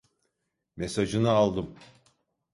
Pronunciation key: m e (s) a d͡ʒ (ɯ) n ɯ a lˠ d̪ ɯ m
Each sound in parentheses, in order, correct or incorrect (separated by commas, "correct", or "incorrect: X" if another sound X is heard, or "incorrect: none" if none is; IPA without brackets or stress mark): correct, correct